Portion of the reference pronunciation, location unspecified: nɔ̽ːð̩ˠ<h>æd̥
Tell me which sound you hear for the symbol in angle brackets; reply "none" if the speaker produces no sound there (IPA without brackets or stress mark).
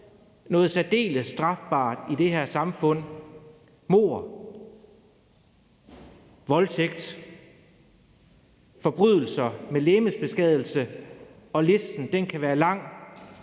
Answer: s